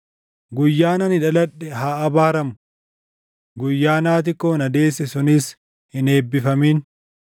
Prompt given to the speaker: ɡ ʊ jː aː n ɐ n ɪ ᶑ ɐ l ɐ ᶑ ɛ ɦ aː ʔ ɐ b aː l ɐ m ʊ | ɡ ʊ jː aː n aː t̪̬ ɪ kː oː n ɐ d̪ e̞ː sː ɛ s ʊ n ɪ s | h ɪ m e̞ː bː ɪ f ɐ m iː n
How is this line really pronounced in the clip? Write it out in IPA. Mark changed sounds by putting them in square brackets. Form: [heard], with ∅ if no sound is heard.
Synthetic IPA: ɡ ʊ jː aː n ɐ n ɪ ᶑ ɐ l ɐ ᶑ ɛ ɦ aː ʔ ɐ b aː [ɾ] ɐ m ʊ | ɡ ʊ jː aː n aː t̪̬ ɪ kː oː n ɐ d̪ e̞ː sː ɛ s ʊ n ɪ s | h ɪ [n] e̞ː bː ɪ f ɐ m iː n